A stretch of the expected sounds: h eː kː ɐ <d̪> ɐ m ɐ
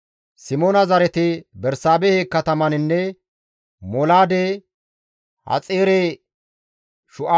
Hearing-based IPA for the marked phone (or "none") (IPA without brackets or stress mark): t̪